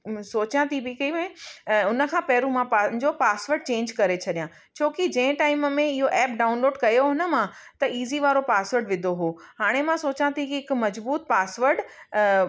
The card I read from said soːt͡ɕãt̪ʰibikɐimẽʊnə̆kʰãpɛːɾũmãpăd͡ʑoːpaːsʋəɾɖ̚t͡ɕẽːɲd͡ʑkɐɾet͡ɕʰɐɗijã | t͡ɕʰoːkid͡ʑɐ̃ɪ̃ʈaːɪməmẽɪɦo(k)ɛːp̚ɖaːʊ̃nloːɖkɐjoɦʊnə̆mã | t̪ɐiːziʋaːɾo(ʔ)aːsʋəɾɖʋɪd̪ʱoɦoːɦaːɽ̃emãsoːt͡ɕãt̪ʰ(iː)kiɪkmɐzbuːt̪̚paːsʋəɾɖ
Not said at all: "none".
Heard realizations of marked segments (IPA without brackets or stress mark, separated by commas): ʔ, p, i